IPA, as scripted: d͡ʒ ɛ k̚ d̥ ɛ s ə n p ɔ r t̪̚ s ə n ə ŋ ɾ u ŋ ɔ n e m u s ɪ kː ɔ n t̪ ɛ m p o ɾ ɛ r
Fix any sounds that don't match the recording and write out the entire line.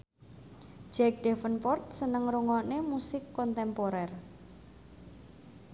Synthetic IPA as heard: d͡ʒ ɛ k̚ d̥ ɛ f ə n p ɔ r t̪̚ s ə n ə ŋ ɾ u ŋ ɔ n e m u s ɪ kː ɔ n t̪ ɛ m p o ɾ ɛ r